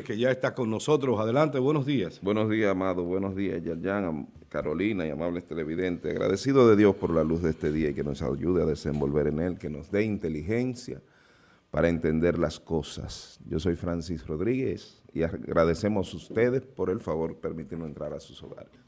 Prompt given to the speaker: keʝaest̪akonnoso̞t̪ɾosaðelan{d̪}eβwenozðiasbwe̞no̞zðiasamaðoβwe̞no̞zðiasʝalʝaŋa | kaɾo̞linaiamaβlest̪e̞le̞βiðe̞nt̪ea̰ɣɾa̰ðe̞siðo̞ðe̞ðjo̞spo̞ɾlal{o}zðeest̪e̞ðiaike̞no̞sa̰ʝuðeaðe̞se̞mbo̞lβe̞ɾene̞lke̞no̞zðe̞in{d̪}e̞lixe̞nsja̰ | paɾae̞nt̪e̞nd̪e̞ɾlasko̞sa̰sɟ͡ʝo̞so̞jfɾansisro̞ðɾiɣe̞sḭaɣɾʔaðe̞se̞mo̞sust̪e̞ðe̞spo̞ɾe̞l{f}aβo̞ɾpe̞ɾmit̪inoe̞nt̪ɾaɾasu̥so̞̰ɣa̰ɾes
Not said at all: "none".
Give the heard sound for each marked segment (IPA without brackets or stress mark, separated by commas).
t̪, u, t̪, f